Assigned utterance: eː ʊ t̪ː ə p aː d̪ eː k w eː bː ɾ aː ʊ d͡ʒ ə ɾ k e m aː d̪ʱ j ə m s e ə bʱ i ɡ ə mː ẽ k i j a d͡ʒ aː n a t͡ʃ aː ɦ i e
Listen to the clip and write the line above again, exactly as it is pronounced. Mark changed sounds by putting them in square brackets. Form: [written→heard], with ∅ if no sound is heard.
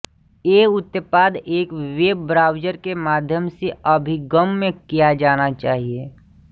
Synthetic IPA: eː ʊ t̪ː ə p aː d̪ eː k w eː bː ɾ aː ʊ d͡ʒ ə ɾ k e m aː d̪ʱ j ə m s e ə bʱ i ɡ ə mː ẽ k i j a d͡ʒ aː n a t͡ʃ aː ɦ i e